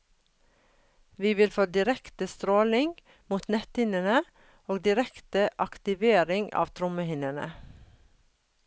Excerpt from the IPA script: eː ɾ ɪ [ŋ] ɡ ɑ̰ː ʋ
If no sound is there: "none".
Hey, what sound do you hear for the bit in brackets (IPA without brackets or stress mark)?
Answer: ŋ